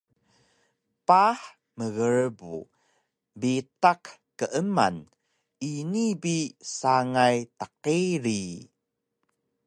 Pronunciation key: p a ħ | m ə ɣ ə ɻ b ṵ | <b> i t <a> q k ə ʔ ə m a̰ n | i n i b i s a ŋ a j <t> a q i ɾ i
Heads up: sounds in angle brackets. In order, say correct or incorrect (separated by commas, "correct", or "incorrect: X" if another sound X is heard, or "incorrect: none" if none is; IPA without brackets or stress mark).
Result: correct, correct, correct